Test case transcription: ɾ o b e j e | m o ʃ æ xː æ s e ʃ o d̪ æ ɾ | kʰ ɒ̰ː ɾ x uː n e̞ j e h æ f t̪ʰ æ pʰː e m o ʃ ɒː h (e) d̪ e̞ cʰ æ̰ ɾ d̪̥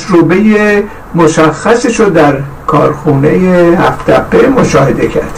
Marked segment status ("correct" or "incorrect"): correct